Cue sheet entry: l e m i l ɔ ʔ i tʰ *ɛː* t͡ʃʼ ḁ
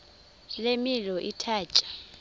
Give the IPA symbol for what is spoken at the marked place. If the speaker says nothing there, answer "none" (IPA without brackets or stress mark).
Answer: aː